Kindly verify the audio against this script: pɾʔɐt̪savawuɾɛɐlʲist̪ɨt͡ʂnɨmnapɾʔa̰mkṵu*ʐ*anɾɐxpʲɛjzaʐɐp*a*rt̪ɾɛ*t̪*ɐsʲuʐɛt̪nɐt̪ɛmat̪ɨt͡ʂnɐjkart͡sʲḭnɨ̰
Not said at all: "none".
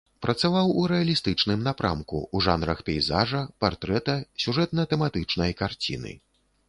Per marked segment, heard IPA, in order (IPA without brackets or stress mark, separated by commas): ʐ, a, t̪